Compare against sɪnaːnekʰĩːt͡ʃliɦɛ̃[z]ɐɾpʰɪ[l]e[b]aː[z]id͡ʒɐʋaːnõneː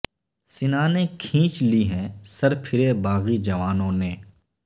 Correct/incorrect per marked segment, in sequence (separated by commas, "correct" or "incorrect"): incorrect, incorrect, correct, incorrect